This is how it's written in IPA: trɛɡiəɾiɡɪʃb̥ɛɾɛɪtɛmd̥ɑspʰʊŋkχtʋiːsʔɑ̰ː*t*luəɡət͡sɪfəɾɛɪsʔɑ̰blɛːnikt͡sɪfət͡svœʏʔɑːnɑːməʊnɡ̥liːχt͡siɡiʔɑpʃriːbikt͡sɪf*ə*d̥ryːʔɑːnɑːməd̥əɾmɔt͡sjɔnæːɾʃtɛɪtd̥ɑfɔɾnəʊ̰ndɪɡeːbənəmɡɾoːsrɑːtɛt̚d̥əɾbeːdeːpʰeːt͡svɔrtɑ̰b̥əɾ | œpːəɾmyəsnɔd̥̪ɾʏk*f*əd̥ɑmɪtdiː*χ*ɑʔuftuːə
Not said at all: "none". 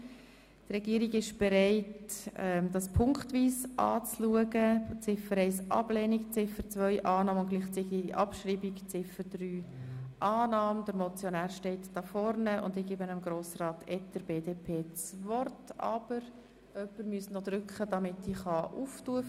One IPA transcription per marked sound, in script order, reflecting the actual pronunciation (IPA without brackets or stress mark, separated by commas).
t͡s, ə, χ, χ